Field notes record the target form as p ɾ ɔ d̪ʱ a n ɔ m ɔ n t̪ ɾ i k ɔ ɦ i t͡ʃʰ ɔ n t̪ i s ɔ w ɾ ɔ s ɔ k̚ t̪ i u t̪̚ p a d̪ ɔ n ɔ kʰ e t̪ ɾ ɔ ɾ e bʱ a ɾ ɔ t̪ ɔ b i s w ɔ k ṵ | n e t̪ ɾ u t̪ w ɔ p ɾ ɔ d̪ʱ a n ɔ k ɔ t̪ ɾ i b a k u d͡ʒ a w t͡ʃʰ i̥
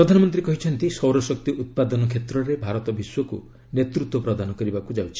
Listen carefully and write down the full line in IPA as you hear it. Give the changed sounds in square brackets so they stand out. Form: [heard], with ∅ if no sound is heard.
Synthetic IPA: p ɾ ɔ d̪ʱ a n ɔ m ɔ n t̪ ɾ i k ɔ ɦ i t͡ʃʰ ɔ n t̪ i s ɔ w ɾ ɔ s ɔ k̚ t̪ i u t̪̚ p a d̪ ɔ n ɔ kʰ e t̪ ɾ ɔ ɾ e bʱ a ɾ ɔ t̪ ɔ b i s w ɔ k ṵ | n e t̪ ɾ u t̪ w ɔ p ɾ ɔ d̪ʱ a n ɔ k ɔ [∅] ɾ i b a k u d͡ʒ a w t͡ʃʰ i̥